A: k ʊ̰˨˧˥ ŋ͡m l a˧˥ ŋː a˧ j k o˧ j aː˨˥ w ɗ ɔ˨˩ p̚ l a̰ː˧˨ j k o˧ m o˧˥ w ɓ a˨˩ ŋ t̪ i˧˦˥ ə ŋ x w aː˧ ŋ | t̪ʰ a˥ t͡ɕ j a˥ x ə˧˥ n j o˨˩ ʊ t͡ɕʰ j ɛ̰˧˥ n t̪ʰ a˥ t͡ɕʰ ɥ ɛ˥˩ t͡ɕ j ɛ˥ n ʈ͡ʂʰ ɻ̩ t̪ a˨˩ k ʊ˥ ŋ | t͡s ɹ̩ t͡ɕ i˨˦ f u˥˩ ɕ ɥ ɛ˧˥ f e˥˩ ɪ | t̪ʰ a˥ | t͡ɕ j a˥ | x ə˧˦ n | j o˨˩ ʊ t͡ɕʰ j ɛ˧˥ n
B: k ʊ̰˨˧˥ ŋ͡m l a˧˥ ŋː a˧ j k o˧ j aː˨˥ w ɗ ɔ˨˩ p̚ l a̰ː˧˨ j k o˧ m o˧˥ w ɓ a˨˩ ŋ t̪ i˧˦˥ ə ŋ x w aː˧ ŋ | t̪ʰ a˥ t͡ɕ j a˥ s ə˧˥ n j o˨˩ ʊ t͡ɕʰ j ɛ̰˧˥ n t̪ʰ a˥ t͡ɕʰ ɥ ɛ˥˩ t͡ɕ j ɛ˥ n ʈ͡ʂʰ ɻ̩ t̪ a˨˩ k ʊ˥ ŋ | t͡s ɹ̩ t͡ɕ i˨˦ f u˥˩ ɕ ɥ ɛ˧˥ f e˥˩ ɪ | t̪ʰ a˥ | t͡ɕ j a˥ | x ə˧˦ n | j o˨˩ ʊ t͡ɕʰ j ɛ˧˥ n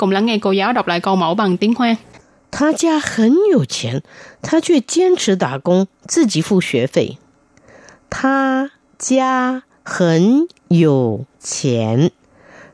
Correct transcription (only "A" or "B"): A